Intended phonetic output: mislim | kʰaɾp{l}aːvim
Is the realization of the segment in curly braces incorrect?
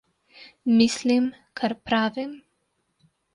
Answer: yes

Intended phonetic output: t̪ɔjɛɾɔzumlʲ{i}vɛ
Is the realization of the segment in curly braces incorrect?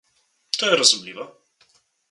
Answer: no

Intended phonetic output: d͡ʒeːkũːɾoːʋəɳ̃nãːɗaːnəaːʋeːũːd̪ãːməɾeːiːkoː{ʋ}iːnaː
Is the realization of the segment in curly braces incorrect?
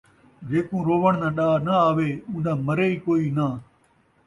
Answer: yes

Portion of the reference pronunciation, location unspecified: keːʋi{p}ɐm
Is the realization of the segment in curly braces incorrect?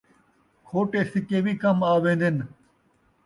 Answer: yes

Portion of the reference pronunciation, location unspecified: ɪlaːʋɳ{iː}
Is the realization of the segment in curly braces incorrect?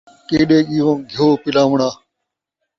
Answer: yes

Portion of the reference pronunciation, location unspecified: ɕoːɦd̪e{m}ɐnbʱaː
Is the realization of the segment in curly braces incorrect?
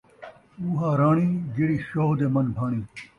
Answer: no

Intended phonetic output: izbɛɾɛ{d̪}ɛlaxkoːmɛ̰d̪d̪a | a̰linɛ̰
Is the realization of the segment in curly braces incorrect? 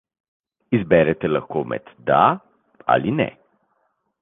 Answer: yes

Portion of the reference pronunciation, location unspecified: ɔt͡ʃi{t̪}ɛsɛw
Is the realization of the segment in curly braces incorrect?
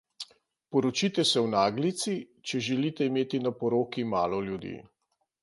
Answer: no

